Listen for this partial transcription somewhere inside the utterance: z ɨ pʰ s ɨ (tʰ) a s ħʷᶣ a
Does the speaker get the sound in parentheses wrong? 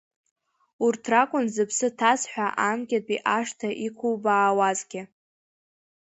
no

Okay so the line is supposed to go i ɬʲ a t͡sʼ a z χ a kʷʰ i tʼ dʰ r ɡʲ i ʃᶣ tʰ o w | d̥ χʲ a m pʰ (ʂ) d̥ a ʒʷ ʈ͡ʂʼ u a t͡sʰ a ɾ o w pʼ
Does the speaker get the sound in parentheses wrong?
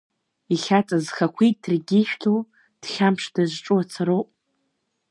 no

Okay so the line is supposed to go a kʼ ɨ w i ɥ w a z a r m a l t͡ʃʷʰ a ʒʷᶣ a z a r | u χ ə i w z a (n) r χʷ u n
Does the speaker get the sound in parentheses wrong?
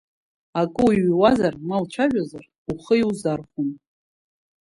yes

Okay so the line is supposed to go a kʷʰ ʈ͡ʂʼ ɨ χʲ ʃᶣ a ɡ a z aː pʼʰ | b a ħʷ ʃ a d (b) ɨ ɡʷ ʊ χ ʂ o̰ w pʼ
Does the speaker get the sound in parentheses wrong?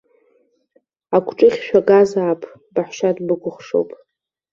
no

